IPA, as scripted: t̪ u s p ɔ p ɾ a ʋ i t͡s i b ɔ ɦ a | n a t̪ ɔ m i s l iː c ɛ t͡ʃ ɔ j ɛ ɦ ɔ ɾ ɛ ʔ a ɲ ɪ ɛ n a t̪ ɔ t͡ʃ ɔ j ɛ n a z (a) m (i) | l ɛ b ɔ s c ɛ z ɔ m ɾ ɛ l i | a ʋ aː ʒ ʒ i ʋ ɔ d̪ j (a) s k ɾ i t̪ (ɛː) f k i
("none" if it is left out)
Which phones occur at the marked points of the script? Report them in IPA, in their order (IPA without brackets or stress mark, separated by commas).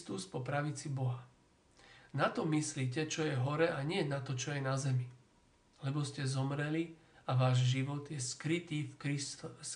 ɛ, i, ɛ, iː